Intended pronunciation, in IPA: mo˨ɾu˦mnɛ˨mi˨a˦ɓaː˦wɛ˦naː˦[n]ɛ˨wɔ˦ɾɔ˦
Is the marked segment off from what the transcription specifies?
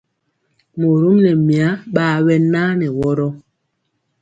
no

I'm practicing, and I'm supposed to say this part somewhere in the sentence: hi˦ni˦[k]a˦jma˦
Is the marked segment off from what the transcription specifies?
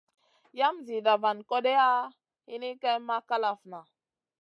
no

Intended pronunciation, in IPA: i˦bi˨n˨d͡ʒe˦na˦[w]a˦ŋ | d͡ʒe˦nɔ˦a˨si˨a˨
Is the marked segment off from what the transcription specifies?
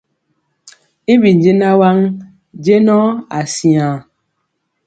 no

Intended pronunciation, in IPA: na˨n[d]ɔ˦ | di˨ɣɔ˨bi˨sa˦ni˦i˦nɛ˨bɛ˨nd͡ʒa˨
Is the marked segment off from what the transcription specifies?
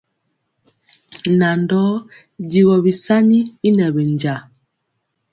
no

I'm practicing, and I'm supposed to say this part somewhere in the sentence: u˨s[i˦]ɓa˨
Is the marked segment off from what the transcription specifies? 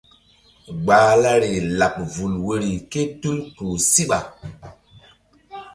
no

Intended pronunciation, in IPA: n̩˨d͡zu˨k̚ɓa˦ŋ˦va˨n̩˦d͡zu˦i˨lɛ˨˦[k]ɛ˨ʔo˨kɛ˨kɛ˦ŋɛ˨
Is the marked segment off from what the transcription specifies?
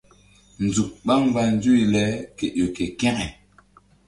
no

